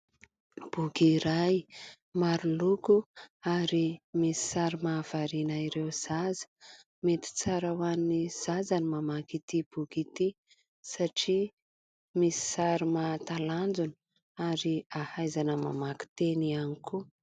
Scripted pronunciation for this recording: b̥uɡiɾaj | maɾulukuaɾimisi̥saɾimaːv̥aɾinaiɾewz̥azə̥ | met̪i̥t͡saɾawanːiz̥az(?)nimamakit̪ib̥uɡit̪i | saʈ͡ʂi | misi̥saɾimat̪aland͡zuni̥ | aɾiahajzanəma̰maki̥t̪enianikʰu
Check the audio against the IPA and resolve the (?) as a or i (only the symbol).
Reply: a